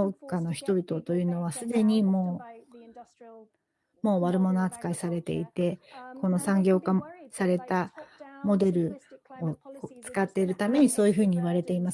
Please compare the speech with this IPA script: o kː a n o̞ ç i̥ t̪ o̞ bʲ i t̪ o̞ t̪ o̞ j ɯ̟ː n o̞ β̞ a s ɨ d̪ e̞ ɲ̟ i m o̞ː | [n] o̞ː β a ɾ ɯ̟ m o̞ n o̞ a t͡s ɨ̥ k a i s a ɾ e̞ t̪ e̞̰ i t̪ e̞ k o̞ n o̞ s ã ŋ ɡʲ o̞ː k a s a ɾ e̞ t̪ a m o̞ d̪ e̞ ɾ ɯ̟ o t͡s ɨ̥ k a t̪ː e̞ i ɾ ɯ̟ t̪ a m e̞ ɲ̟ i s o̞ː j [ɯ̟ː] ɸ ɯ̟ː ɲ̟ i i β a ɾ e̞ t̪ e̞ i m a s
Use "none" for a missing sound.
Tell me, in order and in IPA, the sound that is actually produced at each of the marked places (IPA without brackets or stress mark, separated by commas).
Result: m, ɯ̟